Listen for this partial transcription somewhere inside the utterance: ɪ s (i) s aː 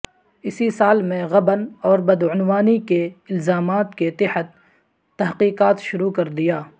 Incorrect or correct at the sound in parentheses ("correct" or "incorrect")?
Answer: correct